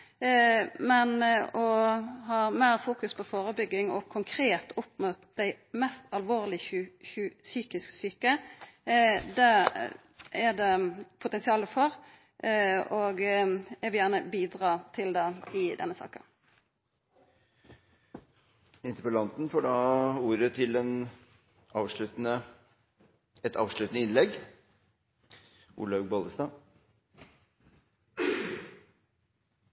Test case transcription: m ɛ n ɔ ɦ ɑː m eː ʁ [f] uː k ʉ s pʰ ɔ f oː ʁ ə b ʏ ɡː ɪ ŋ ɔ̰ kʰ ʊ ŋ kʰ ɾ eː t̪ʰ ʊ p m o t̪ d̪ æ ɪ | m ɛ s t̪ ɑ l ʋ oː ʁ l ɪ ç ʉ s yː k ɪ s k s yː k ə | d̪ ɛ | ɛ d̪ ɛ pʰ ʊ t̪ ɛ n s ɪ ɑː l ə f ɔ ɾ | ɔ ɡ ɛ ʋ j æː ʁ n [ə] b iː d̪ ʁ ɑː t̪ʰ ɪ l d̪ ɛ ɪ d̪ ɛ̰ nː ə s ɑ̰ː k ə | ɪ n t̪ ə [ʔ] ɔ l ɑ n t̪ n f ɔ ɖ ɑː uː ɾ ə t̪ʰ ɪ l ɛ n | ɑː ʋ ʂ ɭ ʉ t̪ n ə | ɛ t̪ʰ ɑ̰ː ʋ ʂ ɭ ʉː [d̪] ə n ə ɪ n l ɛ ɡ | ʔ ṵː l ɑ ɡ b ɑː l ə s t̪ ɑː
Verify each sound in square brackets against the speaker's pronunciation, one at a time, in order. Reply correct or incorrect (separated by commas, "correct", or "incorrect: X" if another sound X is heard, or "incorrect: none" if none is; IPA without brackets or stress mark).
correct, correct, incorrect: p, incorrect: t̪